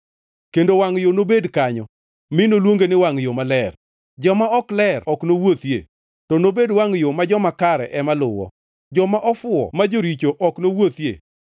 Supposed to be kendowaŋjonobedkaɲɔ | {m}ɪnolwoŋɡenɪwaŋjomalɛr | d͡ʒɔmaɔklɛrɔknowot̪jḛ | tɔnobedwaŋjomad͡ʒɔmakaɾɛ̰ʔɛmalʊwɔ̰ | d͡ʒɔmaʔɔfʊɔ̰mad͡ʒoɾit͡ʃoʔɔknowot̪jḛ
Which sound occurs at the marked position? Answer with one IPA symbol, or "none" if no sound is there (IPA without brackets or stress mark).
m